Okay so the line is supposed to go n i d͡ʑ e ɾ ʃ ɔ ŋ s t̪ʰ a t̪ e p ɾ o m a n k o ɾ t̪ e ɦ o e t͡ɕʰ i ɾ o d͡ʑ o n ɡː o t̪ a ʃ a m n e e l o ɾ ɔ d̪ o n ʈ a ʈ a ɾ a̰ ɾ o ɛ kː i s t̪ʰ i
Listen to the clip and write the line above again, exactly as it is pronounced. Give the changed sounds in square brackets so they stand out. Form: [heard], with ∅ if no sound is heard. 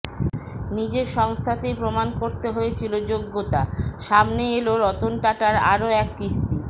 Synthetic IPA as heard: n i d͡ʑ e ɾ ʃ ɔ ŋ s t̪ʰ a t̪ e p ɾ o m a n k o ɾ t̪ e ɦ o e t͡ɕʰ i [l] o d͡ʑ o [∅] ɡː o t̪ a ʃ a m n e e l o ɾ ɔ [t̪] o n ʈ a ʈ a ɾ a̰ ɾ o ɛ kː i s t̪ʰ i

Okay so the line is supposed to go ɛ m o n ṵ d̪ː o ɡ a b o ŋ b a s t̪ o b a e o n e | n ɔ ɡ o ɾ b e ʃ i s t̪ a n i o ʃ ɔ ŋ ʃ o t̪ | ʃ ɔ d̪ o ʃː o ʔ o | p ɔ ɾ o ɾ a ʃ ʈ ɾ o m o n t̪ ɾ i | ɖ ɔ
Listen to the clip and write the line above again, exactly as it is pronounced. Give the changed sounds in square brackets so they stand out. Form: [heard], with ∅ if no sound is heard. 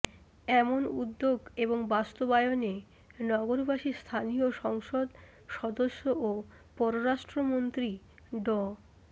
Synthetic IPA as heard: ɛ m o n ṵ d̪ː o ɡ [e] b o ŋ b a s t̪ o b a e o n e | n ɔ ɡ o ɾ b [a] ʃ i s [t̪ʰ] a n i o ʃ ɔ ŋ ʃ o [d̪] | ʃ ɔ d̪ o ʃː o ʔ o | p ɔ ɾ o ɾ a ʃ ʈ ɾ o m o n t̪ ɾ i | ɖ ɔ

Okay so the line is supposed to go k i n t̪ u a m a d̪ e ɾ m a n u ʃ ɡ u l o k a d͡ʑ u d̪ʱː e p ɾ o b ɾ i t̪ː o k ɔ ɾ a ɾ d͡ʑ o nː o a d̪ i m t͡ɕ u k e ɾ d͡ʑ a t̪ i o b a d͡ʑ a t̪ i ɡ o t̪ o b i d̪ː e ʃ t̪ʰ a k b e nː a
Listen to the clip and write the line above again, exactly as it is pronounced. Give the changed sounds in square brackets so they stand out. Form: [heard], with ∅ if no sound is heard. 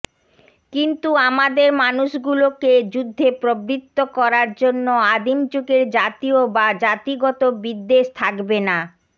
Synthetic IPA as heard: k i n t̪ u a m a d̪ e ɾ m a n u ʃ ɡ u l o k [e] d͡ʑ u d̪ʱː e p ɾ o b ɾ i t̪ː o k ɔ ɾ a ɾ d͡ʑ o nː o a d̪ i m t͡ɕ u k e ɾ d͡ʑ a t̪ i o b a d͡ʑ a t̪ i ɡ [ɔ] t̪ o b i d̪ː e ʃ t̪ʰ a k b e [n] a

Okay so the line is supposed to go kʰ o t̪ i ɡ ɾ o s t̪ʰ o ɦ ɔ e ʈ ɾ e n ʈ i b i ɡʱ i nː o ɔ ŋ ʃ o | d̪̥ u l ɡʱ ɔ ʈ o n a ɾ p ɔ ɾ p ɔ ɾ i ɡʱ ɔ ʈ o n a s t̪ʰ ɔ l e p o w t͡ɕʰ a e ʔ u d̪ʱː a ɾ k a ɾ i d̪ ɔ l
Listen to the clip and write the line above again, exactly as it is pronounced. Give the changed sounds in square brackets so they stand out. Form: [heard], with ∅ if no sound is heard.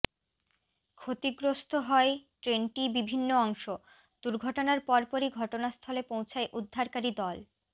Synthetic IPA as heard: kʰ o t̪ i ɡ ɾ o s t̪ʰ o ɦ ɔ e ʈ ɾ e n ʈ i b i [bʱ] i nː o ɔ ŋ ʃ o | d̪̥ u [ɾ] ɡʱ ɔ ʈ o n a ɾ p ɔ ɾ p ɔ ɾ i ɡʱ ɔ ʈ o n a s t̪ʰ ɔ l e p o w t͡ɕʰ a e ʔ u d̪ʱː a ɾ k a ɾ i d̪ ɔ l

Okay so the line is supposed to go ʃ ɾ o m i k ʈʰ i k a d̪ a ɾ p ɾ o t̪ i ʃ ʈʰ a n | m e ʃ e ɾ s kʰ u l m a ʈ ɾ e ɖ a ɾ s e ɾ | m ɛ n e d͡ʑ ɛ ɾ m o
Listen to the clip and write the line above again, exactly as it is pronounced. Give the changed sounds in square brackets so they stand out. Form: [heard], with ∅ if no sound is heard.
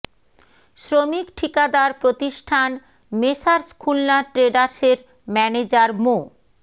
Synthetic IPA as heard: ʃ ɾ o m i k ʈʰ i k a d̪ a ɾ p ɾ o t̪ i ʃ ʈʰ a n | m e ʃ [a] ɾ s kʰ u l [n] a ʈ ɾ e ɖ a ɾ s e ɾ | m ɛ n e d͡ʑ [a] ɾ m o

